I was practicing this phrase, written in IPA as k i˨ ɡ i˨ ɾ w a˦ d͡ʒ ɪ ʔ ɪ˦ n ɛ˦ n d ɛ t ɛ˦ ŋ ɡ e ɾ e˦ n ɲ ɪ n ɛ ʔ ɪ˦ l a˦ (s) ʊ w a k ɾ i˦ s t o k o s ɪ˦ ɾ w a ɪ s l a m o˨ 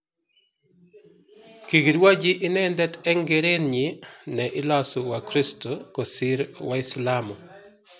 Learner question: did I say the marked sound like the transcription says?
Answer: yes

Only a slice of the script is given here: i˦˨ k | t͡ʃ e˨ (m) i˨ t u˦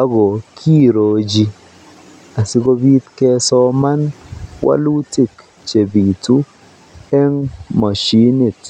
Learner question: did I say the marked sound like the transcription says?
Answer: no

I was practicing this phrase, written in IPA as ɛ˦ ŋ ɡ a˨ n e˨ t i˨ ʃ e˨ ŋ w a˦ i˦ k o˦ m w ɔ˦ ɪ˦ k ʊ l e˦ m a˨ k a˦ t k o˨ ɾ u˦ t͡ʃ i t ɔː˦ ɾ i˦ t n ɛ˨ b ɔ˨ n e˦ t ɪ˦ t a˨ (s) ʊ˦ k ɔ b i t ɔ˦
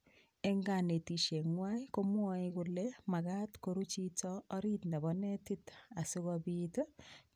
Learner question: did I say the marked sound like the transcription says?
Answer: yes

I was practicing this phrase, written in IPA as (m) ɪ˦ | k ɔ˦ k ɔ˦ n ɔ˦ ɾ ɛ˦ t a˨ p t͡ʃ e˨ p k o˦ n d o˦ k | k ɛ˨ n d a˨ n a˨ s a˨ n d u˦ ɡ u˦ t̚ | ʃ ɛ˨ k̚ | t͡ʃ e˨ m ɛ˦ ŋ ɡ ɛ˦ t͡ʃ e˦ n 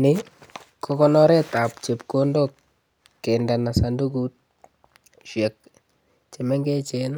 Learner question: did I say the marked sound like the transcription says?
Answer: no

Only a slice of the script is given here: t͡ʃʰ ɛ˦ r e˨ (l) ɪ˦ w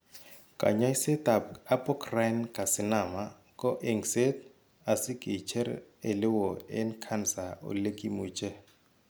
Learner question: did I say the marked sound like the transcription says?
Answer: yes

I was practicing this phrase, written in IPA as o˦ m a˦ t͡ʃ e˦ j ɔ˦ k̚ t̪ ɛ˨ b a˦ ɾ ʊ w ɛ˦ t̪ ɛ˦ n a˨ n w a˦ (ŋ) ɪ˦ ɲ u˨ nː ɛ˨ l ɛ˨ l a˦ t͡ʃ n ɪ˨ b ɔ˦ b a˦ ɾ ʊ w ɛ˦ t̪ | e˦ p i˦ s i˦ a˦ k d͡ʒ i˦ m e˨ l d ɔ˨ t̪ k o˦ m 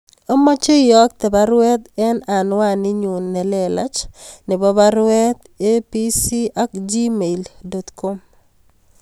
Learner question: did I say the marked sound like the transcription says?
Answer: no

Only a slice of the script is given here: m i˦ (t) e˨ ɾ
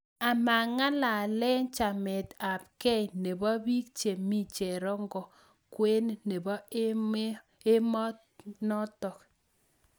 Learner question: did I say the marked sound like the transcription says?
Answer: no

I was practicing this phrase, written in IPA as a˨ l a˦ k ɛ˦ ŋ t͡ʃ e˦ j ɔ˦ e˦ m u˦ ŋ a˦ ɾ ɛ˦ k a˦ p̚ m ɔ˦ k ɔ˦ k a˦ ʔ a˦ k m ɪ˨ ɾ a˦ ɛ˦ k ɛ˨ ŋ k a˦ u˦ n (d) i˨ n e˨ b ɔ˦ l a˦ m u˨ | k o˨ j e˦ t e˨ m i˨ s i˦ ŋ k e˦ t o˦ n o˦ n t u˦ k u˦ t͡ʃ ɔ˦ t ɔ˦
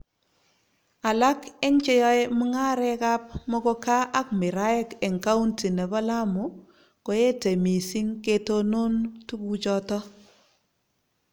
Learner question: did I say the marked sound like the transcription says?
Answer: no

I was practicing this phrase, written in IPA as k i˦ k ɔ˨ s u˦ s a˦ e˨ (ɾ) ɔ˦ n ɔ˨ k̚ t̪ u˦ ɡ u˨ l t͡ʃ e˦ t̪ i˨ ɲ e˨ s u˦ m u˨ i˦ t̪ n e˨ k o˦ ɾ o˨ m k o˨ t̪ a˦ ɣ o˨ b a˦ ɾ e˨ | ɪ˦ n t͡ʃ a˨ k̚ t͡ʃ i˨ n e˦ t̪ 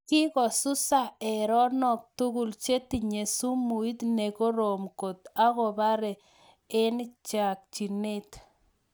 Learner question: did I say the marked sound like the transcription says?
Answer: yes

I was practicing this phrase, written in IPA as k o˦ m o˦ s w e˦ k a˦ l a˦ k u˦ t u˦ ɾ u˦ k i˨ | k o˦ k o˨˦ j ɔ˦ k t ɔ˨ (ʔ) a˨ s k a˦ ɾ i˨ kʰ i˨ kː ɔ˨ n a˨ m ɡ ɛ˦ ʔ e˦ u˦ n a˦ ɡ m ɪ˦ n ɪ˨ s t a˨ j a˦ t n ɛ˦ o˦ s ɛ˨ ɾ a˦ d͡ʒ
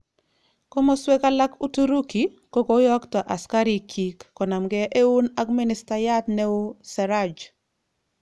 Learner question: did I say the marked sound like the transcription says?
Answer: yes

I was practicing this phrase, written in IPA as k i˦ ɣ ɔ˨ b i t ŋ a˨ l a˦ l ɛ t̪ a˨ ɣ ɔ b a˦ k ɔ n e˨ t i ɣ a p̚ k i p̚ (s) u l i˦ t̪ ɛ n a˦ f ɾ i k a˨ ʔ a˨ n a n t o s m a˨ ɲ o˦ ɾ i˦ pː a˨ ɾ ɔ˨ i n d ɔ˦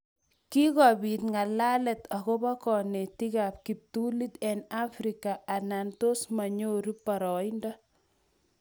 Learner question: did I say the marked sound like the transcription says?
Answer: no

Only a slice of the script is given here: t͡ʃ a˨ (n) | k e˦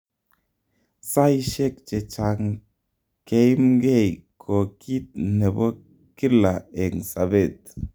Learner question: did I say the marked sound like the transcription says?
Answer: no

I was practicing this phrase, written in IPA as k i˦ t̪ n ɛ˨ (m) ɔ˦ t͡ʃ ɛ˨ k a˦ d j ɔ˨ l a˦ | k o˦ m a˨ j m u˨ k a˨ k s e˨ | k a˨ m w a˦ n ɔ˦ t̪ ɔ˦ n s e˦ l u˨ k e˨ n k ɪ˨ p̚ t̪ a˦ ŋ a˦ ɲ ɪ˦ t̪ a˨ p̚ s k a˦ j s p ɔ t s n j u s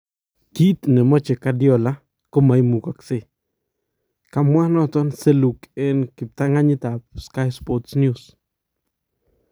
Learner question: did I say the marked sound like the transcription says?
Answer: yes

